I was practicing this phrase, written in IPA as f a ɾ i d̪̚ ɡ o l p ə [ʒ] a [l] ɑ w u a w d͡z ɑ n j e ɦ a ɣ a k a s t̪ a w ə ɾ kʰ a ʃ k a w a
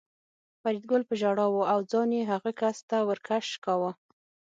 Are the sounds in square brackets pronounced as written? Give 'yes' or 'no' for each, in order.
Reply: yes, no

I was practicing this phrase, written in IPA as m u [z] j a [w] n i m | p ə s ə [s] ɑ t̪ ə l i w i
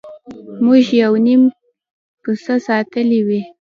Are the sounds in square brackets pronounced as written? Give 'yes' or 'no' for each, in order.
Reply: no, yes, yes

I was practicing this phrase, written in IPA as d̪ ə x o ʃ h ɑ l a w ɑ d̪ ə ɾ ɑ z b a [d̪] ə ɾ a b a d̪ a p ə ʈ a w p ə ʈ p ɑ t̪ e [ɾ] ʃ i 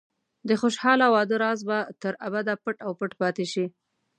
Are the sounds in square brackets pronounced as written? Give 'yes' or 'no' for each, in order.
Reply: no, no

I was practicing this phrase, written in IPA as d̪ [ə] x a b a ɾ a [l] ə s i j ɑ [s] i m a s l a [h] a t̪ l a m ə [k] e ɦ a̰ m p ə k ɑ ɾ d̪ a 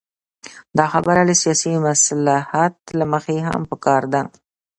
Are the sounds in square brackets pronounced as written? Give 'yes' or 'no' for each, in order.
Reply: no, yes, yes, yes, no

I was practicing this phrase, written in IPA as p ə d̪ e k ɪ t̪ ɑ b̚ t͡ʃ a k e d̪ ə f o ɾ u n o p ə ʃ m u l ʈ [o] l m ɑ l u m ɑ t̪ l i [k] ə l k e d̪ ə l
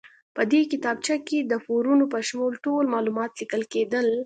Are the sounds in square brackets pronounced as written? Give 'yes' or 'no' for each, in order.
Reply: yes, yes

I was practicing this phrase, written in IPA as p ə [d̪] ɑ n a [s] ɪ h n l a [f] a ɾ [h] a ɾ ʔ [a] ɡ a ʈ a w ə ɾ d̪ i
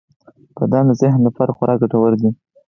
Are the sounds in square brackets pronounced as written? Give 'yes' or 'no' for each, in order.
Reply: yes, no, yes, no, no

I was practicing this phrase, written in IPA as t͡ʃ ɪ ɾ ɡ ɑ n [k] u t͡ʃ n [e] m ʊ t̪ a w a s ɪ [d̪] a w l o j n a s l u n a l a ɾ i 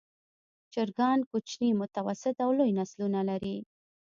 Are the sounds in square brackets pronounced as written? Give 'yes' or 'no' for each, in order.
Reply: yes, no, no

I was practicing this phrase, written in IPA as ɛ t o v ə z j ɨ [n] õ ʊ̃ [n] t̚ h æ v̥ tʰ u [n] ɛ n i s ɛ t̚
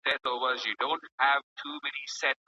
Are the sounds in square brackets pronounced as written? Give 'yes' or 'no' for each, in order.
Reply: no, yes, no

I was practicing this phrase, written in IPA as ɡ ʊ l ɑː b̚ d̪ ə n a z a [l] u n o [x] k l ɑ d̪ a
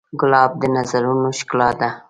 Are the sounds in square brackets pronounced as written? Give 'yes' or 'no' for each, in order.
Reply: no, no

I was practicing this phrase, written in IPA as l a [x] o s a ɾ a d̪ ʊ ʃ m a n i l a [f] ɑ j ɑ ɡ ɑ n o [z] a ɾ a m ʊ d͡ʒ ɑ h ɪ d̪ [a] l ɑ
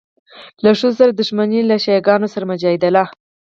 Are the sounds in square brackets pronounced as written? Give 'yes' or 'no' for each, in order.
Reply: no, no, no, yes

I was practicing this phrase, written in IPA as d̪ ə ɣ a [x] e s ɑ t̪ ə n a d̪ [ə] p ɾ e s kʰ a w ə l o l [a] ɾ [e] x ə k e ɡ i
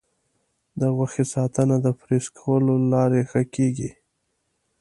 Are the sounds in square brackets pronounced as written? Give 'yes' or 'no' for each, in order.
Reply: yes, yes, no, yes

